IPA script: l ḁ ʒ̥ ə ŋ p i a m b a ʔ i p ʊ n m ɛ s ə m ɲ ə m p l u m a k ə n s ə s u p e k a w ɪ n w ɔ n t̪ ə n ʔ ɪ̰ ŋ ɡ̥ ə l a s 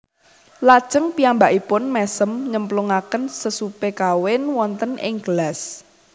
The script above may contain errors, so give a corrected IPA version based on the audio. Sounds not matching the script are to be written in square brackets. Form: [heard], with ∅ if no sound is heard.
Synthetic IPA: l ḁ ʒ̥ ə ŋ p i a m b a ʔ i p ʊ n m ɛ s ə m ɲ ə m p l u [ŋ] a k ə n s ə s u p e k a w ɪ n w ɔ n t̪ ə n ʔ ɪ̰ ŋ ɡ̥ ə l a s